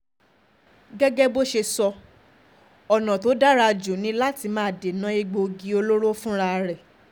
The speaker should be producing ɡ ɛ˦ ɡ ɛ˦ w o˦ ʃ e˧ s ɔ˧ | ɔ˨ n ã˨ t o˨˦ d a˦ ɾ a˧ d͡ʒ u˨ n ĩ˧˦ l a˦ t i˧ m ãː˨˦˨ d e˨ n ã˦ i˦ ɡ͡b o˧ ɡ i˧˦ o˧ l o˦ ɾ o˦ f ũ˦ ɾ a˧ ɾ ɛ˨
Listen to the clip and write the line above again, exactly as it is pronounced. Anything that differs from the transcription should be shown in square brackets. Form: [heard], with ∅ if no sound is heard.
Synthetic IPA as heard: ɡ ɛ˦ ɡ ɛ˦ [b] o˦ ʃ e˧ s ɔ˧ | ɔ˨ n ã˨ t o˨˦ d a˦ ɾ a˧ d͡ʒ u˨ n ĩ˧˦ l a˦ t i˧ m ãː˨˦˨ d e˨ n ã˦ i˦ ɡ͡b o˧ ɡ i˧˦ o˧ l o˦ ɾ o˦ f ũ˦ ɾ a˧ ɾ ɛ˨